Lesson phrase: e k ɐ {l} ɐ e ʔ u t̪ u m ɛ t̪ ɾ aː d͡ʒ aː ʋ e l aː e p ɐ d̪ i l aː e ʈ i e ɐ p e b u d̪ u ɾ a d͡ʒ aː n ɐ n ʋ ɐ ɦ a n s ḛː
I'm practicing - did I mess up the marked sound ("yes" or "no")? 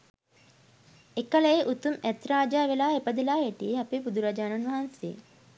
no